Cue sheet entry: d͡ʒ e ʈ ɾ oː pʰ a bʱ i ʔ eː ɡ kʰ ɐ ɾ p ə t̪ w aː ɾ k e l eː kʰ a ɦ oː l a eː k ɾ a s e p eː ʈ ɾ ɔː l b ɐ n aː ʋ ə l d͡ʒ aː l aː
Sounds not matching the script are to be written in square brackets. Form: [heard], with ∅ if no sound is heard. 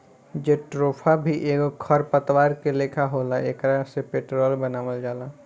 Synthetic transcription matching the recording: d͡ʒ e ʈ ɾ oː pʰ a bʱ i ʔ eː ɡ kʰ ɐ ɾ p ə t̪ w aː ɾ k e l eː kʰ a ɦ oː l a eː k ɾ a s e p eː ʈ ɾ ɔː l b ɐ n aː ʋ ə l d͡ʒ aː l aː

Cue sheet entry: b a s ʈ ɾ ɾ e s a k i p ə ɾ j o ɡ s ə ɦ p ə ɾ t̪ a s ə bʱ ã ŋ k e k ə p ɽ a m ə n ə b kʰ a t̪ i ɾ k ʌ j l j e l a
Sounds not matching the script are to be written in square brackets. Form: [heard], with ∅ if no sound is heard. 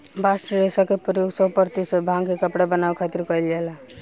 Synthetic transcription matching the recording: b a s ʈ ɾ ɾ e s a k [e] p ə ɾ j o ɡ s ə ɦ p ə ɾ t̪ [i] s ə bʱ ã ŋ k e k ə p ɽ a [b] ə n [a] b kʰ a t̪ i ɾ k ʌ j l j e l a

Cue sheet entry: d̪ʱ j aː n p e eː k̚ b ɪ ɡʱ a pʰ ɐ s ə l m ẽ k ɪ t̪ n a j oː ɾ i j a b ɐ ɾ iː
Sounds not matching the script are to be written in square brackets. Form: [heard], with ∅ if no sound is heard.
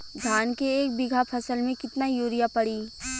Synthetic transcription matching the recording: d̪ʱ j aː n [k] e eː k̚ b ɪ ɡʱ a pʰ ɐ s ə l m ẽ k ɪ t̪ n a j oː ɾ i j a [p] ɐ [ɽ] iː

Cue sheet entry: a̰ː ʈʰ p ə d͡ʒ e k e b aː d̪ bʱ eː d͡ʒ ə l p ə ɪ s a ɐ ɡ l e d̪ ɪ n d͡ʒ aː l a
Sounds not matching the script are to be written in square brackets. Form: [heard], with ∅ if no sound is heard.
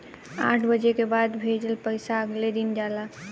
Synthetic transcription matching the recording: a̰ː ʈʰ [b] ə d͡ʒ e k e b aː d̪ bʱ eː d͡ʒ ə l p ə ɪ s a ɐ ɡ l e d̪ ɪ n d͡ʒ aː l a

